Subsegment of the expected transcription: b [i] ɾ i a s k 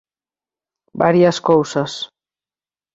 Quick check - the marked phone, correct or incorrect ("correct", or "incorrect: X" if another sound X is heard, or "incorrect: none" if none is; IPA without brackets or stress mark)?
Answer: incorrect: a